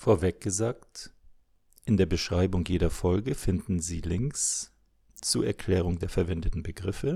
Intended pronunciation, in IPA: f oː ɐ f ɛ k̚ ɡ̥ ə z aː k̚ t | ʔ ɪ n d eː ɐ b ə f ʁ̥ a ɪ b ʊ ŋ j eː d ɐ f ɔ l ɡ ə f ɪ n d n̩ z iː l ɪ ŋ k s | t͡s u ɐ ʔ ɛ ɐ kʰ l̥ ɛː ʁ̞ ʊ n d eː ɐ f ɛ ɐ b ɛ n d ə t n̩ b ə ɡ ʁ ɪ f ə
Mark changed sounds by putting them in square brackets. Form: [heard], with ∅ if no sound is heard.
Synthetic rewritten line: f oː ɐ [v] ɛ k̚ ɡ̥ ə z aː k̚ t | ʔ ɪ n d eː ɐ b ə [ʃ] ʁ̥ a ɪ b ʊ ŋ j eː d ɐ f ɔ l ɡ ə f ɪ n d n̩ z iː l ɪ ŋ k s | t͡s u ɐ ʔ ɛ ɐ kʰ l̥ ɛː ʁ̞ ʊ [ŋ] d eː ɐ f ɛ ɐ [v] ɛ n d ə t n̩ b ə ɡ ʁ ɪ f ə